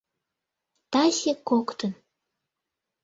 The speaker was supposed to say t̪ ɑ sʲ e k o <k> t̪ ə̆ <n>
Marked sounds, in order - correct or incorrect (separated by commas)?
correct, correct